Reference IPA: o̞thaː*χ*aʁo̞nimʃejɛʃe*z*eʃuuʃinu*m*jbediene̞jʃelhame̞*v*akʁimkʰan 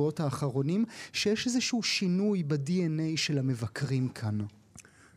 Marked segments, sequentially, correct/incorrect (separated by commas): correct, correct, incorrect, correct